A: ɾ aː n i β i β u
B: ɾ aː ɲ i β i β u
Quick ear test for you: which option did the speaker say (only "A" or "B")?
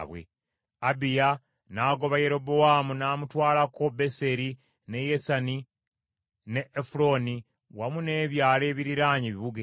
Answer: B